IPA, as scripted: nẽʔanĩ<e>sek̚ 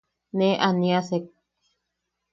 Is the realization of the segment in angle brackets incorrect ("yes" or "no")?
yes